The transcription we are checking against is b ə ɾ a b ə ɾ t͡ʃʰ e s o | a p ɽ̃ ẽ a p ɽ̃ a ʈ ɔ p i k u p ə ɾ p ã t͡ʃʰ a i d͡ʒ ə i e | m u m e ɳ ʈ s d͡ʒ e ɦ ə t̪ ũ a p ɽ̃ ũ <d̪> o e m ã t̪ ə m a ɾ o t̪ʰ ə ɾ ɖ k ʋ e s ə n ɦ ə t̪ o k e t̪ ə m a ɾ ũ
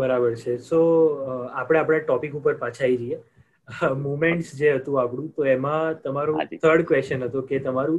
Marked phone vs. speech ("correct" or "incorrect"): incorrect